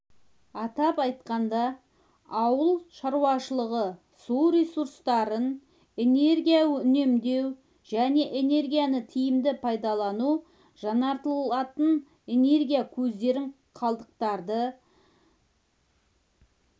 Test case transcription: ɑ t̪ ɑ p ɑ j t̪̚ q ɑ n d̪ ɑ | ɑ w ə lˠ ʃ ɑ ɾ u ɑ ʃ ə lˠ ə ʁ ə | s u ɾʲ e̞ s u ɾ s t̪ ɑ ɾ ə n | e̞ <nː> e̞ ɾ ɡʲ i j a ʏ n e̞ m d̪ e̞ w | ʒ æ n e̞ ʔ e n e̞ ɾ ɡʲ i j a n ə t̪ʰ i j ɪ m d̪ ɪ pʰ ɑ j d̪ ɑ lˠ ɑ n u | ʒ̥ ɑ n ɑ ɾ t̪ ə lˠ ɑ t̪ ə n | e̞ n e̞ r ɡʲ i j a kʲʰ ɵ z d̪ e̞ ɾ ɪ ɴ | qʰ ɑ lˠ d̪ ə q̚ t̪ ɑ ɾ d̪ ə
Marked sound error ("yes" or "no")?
yes